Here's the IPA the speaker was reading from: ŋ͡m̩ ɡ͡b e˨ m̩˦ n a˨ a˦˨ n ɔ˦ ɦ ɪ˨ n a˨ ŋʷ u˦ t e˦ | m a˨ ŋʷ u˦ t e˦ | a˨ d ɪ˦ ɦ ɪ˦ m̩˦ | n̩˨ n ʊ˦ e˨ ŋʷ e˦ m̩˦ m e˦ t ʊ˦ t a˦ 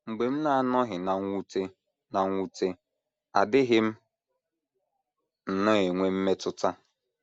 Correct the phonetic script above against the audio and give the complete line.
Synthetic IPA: ŋ͡m̩ ɡ͡b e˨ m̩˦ n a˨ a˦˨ n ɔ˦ ɦ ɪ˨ n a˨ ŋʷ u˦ t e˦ | n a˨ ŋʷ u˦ t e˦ | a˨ d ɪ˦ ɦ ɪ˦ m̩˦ | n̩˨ n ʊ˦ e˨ ŋʷ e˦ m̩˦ m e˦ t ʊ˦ t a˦

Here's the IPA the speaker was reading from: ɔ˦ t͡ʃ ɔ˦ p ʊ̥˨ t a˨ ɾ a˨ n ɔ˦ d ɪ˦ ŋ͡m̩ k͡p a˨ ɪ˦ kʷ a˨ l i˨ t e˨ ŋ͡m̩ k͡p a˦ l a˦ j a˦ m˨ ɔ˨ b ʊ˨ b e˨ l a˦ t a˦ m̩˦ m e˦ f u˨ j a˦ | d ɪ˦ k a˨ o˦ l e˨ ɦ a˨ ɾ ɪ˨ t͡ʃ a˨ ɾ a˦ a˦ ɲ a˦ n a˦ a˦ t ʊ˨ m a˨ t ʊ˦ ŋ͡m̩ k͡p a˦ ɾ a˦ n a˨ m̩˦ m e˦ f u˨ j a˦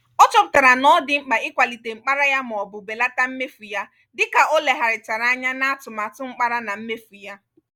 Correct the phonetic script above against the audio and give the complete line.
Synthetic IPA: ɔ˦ t͡ʃ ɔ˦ p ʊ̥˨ t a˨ ɾ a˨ n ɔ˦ d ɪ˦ ŋ͡m̩ k͡p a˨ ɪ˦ kʷ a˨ l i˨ t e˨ ŋ͡m̩ k͡p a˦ ɾ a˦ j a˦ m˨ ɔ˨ b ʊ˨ b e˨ l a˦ t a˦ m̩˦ m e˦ f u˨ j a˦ | d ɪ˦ k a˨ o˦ l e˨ ɦ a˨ ɾ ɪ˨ t͡ʃ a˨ ɾ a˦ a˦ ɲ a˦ n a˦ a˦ t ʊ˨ m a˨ t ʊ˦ ŋ͡m̩ k͡p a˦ ɾ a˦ n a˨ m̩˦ m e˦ f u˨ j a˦

